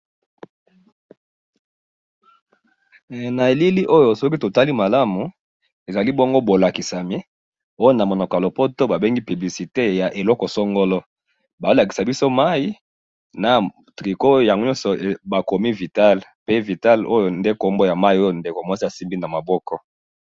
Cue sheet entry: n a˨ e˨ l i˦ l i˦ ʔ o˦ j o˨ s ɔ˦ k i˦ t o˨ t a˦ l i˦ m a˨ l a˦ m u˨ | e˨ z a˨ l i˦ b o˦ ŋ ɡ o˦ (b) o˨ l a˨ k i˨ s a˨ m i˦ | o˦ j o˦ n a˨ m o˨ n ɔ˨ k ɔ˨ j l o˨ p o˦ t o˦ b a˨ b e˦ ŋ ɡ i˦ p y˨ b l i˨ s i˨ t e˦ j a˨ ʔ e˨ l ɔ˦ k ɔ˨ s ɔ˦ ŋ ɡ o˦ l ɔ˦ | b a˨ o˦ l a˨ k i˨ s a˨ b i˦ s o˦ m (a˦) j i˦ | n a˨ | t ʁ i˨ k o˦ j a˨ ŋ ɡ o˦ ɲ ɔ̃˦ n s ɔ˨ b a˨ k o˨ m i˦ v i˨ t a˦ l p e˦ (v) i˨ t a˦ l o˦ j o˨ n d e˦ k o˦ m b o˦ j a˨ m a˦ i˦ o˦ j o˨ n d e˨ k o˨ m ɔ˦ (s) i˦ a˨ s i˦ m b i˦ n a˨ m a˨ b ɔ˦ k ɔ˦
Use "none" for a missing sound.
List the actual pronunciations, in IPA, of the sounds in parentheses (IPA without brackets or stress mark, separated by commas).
b, a˦, v, s